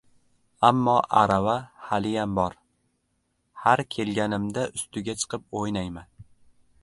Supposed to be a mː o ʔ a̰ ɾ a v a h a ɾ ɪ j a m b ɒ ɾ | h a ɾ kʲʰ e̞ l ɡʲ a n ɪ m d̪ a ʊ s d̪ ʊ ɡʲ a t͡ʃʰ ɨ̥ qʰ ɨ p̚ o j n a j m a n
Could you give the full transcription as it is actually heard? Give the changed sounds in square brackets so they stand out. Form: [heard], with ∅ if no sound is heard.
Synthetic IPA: a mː [ɒ] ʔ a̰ ɾ a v a h a [l] ɪ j a m b ɒ ɾ | h a ɾ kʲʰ e̞ l ɡʲ a n ɪ m d̪ a ʊ s [t̪] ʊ ɡʲ a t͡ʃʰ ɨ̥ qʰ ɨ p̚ o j n a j m a n